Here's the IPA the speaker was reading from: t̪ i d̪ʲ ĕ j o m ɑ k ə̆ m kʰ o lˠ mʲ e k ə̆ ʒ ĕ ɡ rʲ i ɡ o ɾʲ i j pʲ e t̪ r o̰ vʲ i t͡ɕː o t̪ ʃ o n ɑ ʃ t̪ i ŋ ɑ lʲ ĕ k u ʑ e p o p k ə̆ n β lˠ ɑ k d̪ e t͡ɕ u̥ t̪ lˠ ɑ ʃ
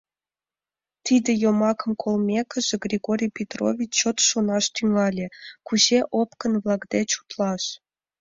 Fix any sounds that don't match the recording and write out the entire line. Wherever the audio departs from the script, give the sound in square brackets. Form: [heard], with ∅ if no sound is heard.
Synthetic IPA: t̪ i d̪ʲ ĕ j o m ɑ k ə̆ m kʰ o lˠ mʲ e k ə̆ ʒ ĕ ɡ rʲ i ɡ o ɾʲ i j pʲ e t̪ r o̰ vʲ i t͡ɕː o t̪ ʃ o n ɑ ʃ t̪ [y] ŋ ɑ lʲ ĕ k u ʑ e [ʔ] o p k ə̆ n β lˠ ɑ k d̪ e t͡ɕ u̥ t̪ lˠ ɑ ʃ